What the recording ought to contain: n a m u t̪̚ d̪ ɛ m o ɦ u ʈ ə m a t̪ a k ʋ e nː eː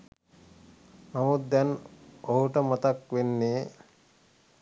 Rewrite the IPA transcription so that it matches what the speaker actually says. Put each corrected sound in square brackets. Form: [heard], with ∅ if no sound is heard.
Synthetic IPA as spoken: [m] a m u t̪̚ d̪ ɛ [n] o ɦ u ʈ ə m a t̪ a k ʋ e nː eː